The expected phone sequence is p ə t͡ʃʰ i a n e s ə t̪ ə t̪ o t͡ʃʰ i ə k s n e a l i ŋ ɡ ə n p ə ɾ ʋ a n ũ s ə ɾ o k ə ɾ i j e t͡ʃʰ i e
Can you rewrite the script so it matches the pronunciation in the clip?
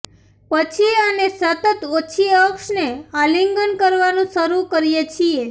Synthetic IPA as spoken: p ə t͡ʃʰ i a n e s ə t̪ ə t̪ o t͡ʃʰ i ə k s n e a l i ŋ ɡ ə n k ə ɾ ʋ a n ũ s ə ɾ u k ə ɾ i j e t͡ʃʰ i e